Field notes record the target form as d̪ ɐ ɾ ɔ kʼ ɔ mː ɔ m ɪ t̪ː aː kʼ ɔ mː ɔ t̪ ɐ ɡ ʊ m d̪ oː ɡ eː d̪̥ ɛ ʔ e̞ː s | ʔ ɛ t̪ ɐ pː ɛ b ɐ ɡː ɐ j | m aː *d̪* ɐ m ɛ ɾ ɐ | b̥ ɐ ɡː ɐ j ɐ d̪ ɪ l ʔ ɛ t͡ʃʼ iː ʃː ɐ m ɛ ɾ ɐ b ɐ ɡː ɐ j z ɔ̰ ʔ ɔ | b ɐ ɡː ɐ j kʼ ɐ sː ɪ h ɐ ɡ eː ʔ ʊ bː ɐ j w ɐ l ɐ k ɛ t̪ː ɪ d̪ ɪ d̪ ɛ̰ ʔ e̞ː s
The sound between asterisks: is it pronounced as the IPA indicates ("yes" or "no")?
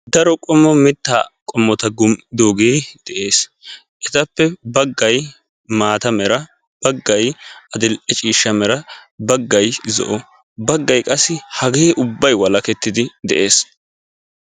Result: no